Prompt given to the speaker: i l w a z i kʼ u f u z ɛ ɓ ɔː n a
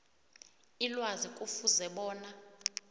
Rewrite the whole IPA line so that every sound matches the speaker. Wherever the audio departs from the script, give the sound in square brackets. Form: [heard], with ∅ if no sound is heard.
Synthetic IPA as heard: i l w a z i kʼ u f u z ɛ ɓ ɔː n a